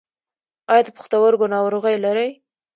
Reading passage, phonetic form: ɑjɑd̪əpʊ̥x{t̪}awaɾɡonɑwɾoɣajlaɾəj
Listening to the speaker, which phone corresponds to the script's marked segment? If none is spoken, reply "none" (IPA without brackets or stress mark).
t̪